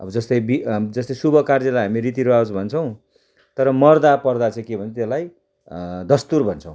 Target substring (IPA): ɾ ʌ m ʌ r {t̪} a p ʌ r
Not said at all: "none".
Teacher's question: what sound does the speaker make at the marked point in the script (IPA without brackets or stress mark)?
d̪